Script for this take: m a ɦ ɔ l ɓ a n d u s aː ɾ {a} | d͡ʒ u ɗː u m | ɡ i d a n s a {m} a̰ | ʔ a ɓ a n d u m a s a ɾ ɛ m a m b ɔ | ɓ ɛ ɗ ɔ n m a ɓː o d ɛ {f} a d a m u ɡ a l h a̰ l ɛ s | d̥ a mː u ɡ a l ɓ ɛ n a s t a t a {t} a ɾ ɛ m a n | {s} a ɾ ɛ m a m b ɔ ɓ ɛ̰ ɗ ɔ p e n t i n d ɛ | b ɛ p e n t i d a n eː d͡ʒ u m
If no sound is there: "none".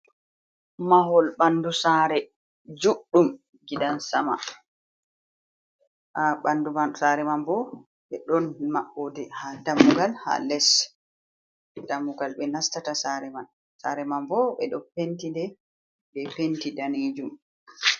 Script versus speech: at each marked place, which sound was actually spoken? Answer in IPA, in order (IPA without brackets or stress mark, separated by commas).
ɛ, m, h, s, s